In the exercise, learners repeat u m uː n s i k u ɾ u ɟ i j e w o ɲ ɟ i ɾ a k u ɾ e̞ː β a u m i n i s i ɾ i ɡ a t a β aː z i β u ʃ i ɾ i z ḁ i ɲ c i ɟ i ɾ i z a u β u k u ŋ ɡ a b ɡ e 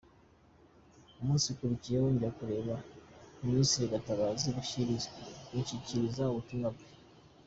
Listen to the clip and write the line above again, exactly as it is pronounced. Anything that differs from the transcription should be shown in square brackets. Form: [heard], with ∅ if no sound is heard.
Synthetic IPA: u m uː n s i k u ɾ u [c] i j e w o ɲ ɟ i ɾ a k u ɾ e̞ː β a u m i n i s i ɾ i ɡ a t a β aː z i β u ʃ i ɾ i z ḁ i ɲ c i [c] i ɾ i z a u β u [t] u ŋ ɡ a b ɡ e